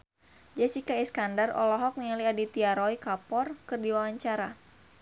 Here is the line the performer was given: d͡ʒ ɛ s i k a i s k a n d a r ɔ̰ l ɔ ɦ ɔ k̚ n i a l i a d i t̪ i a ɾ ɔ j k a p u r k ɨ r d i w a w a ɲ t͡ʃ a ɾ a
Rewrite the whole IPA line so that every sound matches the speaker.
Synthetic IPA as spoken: d͡ʒ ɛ s i k a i s k a n d a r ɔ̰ l ɔ ɦ ɔ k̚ n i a l i a d i t̪ i a ɾ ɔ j k a p ɔ r k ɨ r d i w a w a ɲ t͡ʃ a ɾ a